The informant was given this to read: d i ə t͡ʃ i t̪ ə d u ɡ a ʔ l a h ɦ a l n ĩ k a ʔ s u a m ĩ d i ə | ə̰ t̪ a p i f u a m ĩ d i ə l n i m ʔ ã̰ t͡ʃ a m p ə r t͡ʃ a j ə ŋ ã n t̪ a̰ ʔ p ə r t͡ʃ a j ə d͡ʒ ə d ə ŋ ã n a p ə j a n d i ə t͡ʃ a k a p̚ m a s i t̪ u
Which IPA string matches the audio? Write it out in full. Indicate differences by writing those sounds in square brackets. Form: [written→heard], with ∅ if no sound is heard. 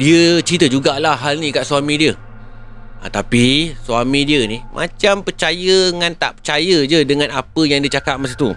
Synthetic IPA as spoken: d i ə t͡ʃ i t̪ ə [d→d͡ʒ] u ɡ a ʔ l a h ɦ a l n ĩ k a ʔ s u a m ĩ d i ə | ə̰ t̪ a p i [f→s] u a m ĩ d i ə [l→∅] n i m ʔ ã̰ t͡ʃ a m p ə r t͡ʃ a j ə ŋ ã n t̪ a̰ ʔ p ə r t͡ʃ a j ə d͡ʒ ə d ə ŋ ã n a p ə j a [n→ŋ] d i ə t͡ʃ a k a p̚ m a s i t̪ u